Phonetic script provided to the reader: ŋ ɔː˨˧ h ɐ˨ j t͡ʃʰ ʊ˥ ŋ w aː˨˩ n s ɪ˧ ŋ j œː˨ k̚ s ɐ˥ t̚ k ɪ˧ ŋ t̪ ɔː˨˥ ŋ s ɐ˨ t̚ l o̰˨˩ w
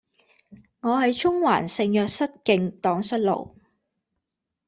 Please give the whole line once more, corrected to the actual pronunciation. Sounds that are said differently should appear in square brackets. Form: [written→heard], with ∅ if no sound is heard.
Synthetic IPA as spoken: ŋ ɔː˨˧ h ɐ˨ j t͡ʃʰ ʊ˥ ŋ w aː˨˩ n s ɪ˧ ŋ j œː˨ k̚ s ɐ˥ t̚ k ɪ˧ ŋ t̪ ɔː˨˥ ŋ s [ɐ˨→ɐ˥] t̚ l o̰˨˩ w